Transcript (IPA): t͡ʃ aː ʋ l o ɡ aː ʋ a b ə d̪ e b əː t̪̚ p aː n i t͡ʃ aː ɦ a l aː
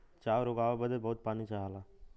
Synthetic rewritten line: t͡ʃ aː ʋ ɾ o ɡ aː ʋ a b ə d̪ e b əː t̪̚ p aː n i t͡ʃ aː ɦ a l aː